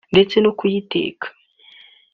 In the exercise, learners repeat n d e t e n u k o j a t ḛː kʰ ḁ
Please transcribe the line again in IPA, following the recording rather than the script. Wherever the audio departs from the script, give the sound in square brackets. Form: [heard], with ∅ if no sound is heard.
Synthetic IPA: n d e [t͡s] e n [o] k [u] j [i] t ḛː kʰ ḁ